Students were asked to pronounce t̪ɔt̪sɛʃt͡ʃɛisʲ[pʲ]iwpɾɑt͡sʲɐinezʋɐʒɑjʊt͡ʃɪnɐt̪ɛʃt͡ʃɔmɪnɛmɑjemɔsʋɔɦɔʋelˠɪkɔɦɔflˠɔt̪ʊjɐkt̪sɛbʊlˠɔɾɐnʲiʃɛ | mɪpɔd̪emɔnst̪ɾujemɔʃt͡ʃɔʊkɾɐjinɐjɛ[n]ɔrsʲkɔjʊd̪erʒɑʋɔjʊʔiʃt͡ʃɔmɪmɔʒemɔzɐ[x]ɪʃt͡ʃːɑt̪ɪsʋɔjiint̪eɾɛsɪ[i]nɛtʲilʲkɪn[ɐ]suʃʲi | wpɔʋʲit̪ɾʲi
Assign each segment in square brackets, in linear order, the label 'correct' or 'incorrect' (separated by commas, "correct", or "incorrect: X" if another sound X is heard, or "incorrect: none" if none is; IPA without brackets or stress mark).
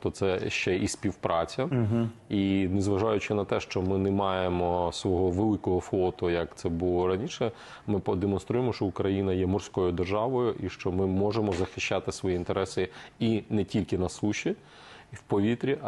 correct, incorrect: m, correct, correct, correct